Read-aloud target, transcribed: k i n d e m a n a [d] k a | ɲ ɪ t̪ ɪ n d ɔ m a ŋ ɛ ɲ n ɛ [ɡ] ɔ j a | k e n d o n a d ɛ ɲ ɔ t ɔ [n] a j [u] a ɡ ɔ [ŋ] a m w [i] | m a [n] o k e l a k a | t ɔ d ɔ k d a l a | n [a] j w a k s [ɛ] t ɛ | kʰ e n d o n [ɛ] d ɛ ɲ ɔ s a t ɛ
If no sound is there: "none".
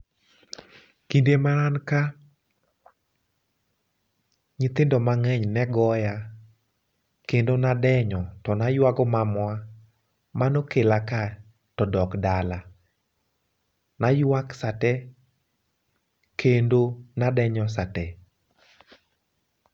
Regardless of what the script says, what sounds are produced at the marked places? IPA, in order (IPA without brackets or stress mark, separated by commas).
n, ɡ, n, w, m, a, n, a, a, a